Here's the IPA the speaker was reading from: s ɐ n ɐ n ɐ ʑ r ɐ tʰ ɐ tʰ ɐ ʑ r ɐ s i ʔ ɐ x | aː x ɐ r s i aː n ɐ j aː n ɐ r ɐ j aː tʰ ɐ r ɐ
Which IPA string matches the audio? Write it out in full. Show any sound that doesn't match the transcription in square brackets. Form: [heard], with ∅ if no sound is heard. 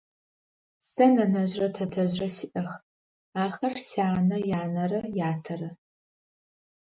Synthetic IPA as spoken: s ɐ n ɐ n ɐ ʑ r ɐ tʰ ɐ tʰ ɐ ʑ r ɐ s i ʔ ɐ x | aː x ɐ r s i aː n ɐ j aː n ɐ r ɐ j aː tʰ ɐ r ɐ